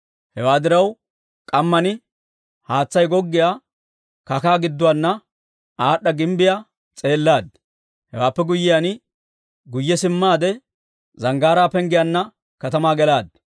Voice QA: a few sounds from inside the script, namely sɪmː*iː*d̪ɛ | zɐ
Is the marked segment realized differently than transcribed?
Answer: yes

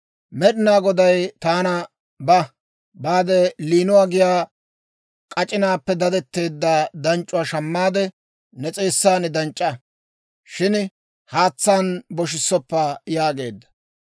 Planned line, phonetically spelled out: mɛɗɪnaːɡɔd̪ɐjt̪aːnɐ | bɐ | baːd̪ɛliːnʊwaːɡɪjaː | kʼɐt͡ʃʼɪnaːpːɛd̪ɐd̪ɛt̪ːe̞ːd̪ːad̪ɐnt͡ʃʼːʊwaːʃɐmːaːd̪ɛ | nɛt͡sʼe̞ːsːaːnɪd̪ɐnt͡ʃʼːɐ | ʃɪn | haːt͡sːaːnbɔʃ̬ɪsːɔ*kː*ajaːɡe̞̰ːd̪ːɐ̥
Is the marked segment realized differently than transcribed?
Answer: yes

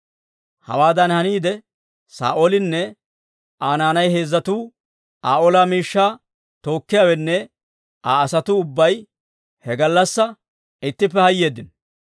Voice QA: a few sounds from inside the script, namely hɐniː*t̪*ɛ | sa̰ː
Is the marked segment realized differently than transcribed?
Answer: yes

